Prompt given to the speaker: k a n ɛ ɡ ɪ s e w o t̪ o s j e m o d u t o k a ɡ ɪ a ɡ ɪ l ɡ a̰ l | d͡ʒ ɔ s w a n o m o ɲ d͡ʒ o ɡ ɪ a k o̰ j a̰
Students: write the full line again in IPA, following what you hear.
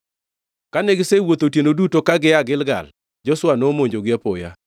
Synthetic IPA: k a n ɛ ɡ ɪ s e w o t̪ o t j e n o d u t o k a ɡ ɪ a ɡ ɪ l ɡ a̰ l | d͡ʒ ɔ s w a n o m o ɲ d͡ʒ o ɡ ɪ a p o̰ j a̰